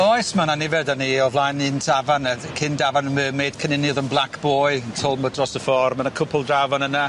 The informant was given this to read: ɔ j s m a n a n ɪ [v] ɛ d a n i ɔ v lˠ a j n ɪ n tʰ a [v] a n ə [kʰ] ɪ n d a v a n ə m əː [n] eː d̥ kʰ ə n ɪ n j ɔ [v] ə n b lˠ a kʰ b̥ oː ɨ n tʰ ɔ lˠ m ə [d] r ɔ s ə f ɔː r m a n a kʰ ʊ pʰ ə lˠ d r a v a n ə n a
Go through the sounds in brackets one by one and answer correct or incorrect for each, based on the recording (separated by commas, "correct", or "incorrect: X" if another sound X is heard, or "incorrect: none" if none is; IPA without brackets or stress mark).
correct, correct, correct, incorrect: m, incorrect: ð, correct